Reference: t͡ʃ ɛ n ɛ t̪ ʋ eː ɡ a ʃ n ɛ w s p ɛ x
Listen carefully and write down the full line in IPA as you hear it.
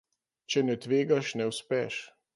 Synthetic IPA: t͡ʃ ɛ n ɛ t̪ ʋ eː ɡ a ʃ n ɛ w s p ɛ ʃ